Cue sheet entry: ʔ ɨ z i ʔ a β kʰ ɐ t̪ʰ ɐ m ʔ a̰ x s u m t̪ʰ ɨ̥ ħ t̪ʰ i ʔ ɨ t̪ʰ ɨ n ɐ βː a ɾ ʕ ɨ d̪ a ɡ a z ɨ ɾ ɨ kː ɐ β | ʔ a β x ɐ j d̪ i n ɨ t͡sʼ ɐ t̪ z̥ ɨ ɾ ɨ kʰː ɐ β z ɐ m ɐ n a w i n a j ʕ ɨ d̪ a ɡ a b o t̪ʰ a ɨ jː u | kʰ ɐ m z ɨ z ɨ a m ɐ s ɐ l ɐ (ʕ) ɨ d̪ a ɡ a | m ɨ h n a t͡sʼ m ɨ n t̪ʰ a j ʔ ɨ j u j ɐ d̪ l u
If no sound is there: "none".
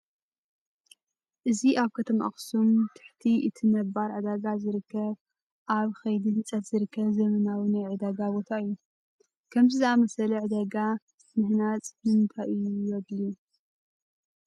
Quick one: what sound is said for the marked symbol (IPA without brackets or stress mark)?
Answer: ʕ